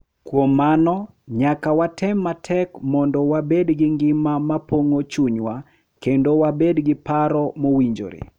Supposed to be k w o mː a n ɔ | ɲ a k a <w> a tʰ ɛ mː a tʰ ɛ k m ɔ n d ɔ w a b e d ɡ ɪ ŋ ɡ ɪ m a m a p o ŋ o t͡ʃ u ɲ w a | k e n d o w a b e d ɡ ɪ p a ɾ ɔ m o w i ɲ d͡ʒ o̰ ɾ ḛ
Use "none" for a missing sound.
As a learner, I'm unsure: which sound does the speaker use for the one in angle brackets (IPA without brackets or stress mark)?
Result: w